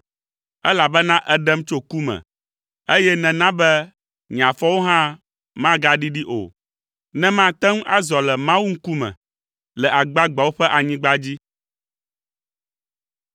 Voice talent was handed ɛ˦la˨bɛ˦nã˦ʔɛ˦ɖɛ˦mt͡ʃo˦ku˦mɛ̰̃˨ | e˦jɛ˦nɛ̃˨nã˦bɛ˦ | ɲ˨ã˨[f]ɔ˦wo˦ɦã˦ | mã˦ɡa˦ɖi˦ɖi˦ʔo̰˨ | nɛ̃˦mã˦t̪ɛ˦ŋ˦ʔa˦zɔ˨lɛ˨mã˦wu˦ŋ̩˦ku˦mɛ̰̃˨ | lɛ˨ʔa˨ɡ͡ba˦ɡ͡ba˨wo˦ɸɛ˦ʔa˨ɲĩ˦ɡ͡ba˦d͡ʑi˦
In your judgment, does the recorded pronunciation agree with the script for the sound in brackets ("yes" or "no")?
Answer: yes